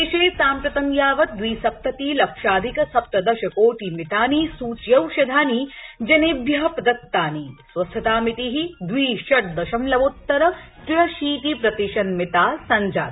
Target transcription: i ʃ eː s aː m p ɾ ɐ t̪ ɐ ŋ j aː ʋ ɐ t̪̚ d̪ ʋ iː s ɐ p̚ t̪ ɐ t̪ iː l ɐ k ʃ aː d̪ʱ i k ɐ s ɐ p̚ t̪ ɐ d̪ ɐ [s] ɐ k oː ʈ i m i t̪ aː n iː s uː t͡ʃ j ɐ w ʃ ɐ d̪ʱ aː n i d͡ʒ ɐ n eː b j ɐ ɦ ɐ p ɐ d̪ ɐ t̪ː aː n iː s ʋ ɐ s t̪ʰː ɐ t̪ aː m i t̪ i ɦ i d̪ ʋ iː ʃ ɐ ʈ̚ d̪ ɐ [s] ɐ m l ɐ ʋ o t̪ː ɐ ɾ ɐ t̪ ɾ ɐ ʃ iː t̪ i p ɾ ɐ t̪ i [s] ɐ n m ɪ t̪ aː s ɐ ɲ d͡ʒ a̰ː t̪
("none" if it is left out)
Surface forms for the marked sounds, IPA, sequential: ʃ, ʃ, ʃ

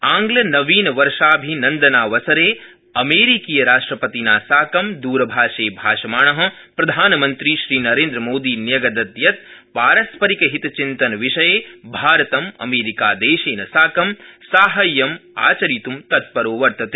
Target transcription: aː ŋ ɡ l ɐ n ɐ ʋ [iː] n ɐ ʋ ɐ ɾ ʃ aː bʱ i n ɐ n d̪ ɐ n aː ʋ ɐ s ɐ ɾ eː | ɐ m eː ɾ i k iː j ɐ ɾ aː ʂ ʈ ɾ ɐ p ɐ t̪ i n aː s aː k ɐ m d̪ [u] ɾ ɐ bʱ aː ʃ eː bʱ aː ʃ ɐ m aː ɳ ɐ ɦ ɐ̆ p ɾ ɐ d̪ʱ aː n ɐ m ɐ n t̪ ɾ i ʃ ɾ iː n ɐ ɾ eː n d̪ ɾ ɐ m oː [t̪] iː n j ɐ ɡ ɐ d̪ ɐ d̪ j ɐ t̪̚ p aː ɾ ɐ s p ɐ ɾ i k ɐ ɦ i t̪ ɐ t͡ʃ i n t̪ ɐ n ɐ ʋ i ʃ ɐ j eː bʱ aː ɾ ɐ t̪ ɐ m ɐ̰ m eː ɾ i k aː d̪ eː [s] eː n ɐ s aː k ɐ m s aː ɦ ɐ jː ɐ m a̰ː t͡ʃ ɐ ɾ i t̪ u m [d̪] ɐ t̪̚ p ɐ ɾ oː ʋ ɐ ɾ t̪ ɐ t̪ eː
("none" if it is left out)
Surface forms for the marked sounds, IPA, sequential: iː, uː, d̪, ʃ, t̪

